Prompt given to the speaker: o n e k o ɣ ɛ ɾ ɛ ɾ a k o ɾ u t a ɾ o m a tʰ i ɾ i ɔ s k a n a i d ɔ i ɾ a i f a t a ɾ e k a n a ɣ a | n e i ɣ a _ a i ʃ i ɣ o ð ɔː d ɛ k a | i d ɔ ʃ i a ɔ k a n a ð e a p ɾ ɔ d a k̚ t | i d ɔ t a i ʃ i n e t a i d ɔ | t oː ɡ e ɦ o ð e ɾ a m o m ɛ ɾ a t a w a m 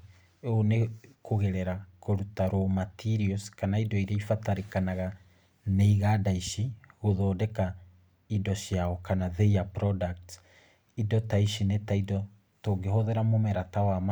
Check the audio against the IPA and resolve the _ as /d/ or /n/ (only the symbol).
d